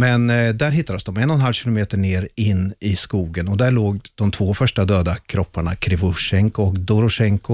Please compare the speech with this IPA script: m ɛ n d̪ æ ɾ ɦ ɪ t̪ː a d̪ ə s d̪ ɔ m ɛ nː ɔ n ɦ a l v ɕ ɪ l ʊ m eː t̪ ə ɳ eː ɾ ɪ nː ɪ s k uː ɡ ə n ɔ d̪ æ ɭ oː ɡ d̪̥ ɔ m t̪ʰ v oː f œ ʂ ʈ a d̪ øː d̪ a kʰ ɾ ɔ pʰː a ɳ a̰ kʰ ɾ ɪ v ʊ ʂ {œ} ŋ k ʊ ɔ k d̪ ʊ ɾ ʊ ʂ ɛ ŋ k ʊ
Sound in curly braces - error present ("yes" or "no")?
yes